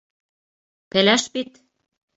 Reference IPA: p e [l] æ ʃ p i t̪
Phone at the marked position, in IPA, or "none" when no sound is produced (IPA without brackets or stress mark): l